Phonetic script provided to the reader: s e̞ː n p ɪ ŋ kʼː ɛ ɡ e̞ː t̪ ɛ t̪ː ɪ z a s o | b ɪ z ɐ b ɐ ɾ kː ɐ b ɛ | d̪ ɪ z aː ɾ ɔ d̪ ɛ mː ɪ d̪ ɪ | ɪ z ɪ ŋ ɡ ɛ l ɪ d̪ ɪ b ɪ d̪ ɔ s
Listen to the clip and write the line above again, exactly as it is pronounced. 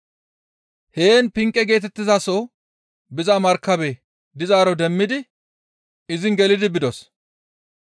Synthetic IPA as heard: h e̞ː n p ɪ ŋ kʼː ɛ ɡ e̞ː t̪ ɛ t̪ː ɪ z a s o | b ɪ z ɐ m ɐ ɾ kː ɐ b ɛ | d̪ ɪ z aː ɾ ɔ d̪ ɛ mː ɪ d̪ ɪ | ɪ z ɪ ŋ ɡ ɛ l ɪ d̪ ɪ b ɪ d̪ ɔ s